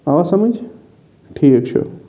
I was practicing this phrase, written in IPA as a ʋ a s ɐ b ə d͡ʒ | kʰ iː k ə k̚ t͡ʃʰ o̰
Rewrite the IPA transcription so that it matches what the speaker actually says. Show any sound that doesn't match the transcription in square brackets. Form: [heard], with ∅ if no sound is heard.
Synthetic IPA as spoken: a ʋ a s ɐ [m] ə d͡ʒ | [ʈʰ] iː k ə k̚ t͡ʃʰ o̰